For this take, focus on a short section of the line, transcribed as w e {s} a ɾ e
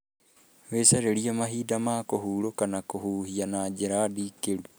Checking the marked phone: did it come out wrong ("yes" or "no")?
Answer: no